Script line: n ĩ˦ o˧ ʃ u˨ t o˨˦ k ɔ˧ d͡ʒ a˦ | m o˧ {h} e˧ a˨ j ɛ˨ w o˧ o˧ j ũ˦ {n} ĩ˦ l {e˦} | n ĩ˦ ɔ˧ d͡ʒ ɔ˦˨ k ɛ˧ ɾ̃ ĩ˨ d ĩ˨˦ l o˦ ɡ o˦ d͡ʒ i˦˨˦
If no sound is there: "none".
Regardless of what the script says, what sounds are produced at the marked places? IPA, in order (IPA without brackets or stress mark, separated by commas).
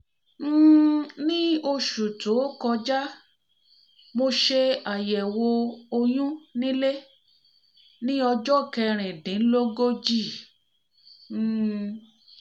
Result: ʃ, n, e˦